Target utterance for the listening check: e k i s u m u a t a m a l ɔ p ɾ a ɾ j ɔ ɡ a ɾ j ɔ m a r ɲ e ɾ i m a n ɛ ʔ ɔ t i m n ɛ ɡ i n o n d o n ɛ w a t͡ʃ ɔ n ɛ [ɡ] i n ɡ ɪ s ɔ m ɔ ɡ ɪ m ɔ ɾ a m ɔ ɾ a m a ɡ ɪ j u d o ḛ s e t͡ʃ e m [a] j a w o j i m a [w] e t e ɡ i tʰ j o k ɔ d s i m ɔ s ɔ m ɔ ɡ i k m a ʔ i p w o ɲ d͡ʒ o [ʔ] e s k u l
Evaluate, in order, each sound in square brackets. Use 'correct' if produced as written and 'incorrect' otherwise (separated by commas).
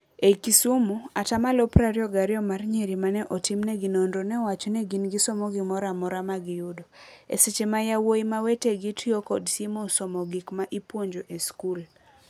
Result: correct, correct, correct, correct